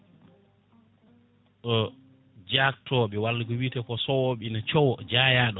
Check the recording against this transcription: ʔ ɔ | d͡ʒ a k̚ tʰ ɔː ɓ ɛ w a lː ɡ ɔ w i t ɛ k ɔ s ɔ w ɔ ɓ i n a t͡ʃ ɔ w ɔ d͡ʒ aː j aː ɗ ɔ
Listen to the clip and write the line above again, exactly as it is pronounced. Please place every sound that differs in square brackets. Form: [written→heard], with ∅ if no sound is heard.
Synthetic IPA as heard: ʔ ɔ | d͡ʒ a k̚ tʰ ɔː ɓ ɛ w a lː ɡ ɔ w i t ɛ k ɔ s ɔ w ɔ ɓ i n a t͡ʃ ɔ w ɔ d͡ʒ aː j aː ɗ ɔ